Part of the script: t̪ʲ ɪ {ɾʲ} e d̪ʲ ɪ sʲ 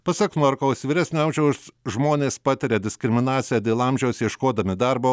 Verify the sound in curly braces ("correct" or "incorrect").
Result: correct